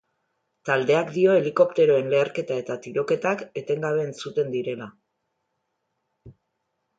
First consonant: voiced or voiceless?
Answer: voiceless